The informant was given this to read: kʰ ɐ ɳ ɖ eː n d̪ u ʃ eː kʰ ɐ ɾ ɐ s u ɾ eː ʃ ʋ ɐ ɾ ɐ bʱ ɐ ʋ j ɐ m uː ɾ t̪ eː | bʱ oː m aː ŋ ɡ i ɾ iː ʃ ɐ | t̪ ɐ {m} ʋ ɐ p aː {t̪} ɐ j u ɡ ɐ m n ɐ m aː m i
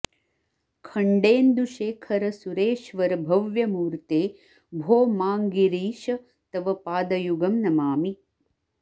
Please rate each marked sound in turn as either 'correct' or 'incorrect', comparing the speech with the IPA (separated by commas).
incorrect, incorrect